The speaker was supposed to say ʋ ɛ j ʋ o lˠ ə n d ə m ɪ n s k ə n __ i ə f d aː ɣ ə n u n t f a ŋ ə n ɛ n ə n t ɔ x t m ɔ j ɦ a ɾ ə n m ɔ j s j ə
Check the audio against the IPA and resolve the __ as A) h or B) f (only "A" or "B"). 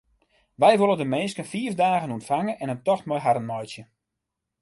B